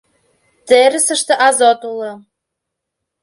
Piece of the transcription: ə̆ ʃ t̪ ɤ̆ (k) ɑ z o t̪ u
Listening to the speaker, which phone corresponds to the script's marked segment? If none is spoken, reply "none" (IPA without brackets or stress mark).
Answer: ʔ